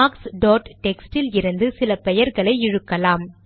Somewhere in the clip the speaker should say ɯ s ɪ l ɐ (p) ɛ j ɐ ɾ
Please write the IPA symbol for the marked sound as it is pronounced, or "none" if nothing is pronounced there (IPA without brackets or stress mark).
p